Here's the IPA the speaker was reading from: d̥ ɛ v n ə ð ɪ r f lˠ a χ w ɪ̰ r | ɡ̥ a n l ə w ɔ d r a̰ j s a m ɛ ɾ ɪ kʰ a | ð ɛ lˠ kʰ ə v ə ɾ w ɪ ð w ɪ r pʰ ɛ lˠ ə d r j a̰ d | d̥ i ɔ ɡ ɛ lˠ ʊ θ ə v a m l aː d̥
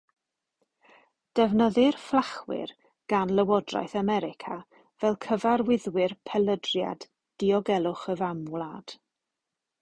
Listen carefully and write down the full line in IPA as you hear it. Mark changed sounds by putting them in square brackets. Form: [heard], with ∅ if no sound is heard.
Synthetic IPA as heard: d̥ ɛ v n ə ð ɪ r f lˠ a χ w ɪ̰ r | ɡ̥ a n l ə w ɔ d r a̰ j [θ] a m ɛ ɾ ɪ kʰ a | [v] ɛ lˠ kʰ ə v [a] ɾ w ɪ ð w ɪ r pʰ ɛ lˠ ə d r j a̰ d | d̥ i ɔ ɡ ɛ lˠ ʊ [χ] ə v a m l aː d̥